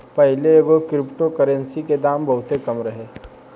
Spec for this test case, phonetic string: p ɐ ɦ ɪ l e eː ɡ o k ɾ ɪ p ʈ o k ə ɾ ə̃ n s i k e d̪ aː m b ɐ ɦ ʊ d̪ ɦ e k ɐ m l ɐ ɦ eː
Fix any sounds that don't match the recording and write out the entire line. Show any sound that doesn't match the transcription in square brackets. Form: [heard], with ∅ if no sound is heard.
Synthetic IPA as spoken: p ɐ ɦ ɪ l e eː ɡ o k ɾ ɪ p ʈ o k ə ɾ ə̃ n s i k e d̪ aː m b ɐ ɦ ʊ [t̪] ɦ e k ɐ m [ɾ] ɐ ɦ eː

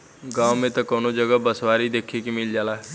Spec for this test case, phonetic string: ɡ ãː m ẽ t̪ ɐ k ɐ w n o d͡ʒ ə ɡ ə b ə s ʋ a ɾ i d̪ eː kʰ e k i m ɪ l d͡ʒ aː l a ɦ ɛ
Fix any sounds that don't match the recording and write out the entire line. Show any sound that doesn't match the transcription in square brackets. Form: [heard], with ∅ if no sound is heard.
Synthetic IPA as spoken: ɡ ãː m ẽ t̪ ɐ k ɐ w n o d͡ʒ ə ɡ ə b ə s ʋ a ɾ i d̪ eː kʰ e k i m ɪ l d͡ʒ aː l a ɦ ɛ

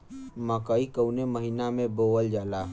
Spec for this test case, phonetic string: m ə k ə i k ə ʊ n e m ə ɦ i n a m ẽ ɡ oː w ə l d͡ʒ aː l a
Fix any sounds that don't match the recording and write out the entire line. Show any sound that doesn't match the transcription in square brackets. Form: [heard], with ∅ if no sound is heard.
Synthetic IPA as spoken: m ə k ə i k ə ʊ n e m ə ɦ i n a m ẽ [b] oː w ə l d͡ʒ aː l a

